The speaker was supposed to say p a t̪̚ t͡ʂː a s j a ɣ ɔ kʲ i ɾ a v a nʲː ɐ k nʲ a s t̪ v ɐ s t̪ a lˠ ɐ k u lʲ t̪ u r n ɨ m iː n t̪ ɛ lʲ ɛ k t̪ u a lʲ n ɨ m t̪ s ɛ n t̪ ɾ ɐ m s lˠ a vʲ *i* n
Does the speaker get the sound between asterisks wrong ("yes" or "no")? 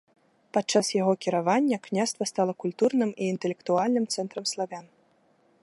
yes